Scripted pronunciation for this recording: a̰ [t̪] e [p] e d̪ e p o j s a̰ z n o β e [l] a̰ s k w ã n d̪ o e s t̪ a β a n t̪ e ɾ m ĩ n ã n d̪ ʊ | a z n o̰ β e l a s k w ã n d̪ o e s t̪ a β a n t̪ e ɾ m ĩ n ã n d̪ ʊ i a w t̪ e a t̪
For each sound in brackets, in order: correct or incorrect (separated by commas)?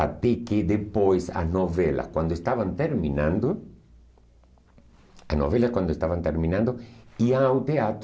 correct, incorrect, correct